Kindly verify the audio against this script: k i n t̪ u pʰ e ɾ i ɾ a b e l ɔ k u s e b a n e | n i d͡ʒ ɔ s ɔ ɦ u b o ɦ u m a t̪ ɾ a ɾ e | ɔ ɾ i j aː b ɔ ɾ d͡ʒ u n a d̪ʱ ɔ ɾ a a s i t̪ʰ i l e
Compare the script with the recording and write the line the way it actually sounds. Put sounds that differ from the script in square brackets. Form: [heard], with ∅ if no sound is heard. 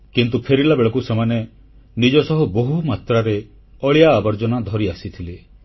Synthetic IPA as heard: k i n t̪ u pʰ e ɾ i [l] a b e [ɭ] ɔ k u s e [m] a n e | n i d͡ʒ ɔ s ɔ ɦ u b o ɦ u m a t̪ ɾ a ɾ e | ɔ [ɭ] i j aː b ɔ ɾ d͡ʒ [ɔ] n a d̪ʱ ɔ ɾ [i] a s i t̪ʰ i l e

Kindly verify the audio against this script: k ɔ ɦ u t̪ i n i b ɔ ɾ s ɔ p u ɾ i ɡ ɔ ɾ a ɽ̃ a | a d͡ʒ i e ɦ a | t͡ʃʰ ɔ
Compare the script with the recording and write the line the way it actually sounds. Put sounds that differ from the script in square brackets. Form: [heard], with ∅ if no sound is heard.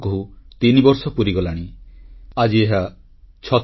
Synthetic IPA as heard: k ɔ ɦ u t̪ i n i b ɔ ɾ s ɔ p u ɾ i ɡ ɔ [l] a ɽ̃ [i] | a d͡ʒ i e ɦ a | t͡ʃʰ ɔ

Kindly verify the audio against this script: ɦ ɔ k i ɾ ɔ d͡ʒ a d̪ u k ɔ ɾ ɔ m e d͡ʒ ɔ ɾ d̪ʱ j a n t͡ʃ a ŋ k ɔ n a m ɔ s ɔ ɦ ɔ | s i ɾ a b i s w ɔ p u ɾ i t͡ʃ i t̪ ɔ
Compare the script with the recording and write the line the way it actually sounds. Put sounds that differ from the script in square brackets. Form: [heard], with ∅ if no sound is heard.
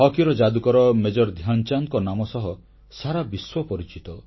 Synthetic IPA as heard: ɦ ɔ k i ɾ ɔ d͡ʒ a d̪ u k ɔ ɾ ɔ m e d͡ʒ ɔ ɾ d̪ʱ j a n t͡ʃ a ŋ k ɔ n a m ɔ s ɔ ɦ ɔ | s [a] ɾ a b i s w ɔ p [ɔ] ɾ i t͡ʃ i t̪ ɔ

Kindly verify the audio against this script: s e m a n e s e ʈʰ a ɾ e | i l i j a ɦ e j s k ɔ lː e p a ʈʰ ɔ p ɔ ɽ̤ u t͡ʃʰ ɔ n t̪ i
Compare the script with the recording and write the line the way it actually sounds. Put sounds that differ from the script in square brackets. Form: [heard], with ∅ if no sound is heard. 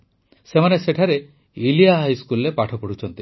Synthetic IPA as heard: s e m a n e s e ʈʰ a ɾ e | i l i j a ɦ [a] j s k [u] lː e p a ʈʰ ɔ p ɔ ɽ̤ u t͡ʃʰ ɔ n t̪ i

